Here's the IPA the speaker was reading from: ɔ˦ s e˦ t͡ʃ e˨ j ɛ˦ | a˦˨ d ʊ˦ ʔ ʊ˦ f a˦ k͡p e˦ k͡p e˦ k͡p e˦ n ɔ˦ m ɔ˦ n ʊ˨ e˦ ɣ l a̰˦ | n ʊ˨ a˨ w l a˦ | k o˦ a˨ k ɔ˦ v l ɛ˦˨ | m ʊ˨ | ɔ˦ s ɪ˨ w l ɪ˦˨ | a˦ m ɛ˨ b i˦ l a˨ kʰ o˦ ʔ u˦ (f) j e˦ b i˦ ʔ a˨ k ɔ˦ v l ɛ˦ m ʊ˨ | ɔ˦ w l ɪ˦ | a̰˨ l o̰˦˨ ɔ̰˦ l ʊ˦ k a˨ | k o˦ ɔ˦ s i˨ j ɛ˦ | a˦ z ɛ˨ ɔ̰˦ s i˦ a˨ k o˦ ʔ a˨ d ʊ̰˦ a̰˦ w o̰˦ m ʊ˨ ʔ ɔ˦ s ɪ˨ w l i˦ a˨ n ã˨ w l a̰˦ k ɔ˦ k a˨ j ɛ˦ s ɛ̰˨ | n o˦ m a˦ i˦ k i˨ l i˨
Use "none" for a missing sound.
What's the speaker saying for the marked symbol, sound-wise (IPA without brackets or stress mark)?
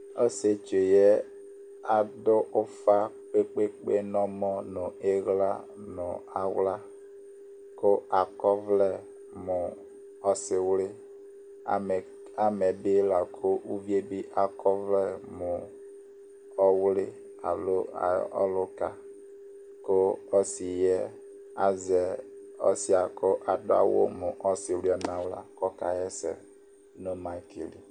v